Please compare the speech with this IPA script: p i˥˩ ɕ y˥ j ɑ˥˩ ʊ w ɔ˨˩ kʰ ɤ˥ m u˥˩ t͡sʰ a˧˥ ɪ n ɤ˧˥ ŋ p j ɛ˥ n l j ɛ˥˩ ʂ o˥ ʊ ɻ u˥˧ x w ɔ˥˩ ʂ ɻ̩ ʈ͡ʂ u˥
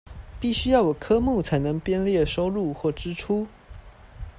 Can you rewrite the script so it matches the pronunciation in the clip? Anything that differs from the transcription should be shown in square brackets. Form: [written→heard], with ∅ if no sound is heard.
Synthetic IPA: p i˥˩ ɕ y˥ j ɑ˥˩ ʊ w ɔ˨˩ kʰ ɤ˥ m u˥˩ t͡sʰ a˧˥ ɪ n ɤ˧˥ ŋ p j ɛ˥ n l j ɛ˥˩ ʂ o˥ ʊ ɻ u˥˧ x w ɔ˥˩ [ʂ→ʈ͡ʂ] ɻ̩ [ʈ͡ʂ→ʈ͡ʂʰ] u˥